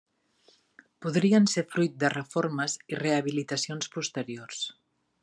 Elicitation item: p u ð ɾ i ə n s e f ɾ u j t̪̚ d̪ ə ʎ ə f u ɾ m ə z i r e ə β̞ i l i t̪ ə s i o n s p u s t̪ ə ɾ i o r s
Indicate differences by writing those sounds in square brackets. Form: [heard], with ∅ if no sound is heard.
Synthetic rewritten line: p u ð ɾ i ə n s e f ɾ u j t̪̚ d̪ ə [r] ə f [o] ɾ m ə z i r e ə β̞ i l i t̪ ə s i o n s p u s t̪ ə ɾ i o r s